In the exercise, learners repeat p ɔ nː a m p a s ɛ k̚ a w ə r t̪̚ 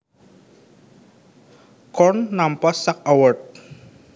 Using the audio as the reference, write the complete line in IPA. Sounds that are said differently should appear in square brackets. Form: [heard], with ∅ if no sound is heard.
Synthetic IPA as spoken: [k] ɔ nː a m p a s [a] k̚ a w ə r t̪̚